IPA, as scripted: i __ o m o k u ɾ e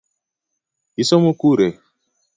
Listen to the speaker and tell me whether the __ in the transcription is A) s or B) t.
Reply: A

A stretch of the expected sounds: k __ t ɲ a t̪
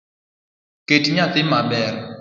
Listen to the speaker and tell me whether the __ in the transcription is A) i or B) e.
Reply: B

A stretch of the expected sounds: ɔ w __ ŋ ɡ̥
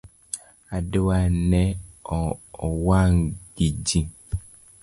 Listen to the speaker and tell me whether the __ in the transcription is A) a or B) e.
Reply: A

